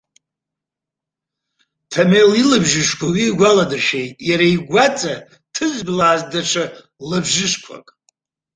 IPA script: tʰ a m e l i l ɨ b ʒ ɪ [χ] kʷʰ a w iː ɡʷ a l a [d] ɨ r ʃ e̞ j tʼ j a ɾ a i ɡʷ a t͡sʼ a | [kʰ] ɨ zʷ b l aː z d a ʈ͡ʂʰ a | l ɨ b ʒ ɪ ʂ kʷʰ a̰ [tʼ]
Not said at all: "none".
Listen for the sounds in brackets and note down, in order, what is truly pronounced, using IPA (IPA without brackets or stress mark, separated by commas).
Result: ʂ, d, tʰ, kʼ